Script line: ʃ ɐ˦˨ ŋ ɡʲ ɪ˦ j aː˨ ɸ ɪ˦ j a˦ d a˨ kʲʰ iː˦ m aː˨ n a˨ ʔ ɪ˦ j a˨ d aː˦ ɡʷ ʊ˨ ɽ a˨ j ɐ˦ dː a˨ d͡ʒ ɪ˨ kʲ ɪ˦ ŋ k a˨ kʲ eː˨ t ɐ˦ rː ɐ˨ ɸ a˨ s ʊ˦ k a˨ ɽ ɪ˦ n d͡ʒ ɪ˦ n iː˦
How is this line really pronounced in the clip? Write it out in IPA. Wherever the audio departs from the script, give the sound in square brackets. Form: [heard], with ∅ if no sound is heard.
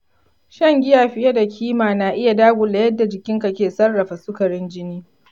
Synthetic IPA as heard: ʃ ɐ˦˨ ŋ ɡʲ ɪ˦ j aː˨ ɸ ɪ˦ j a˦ d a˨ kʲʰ iː˦ m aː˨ n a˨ ʔ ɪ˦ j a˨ d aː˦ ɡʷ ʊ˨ [l] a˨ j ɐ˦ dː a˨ d͡ʒ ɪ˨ kʲ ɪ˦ ŋ k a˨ kʲ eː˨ [s] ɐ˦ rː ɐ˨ ɸ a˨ s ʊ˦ k [ɐ˨] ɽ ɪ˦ n d͡ʒ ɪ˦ n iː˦